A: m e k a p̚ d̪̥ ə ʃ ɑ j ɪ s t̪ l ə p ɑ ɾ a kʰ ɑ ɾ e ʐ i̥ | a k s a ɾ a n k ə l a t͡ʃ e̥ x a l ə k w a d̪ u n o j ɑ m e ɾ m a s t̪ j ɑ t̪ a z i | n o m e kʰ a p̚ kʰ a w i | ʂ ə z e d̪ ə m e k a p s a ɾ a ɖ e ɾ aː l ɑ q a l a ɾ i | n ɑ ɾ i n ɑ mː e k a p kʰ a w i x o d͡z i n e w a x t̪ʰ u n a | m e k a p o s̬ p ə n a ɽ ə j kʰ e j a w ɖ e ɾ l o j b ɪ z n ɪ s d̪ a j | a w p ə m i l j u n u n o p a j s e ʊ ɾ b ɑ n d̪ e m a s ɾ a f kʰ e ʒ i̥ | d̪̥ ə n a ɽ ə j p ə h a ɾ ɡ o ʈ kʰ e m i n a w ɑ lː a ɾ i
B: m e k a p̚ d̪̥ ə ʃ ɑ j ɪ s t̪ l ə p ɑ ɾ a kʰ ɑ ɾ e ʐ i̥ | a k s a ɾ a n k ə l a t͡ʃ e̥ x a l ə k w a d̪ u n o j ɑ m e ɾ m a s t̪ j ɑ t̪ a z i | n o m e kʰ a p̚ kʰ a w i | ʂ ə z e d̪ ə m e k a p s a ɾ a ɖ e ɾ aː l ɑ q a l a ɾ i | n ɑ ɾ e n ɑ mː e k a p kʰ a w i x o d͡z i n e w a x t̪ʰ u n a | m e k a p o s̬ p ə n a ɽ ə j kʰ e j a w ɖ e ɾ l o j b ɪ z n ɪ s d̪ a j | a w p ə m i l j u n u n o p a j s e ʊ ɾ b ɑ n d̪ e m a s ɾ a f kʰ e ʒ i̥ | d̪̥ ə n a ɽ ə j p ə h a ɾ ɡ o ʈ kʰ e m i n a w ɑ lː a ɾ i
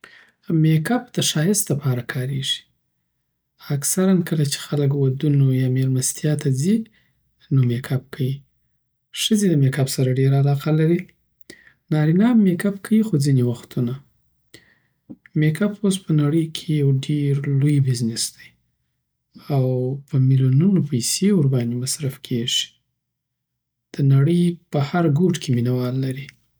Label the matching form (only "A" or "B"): A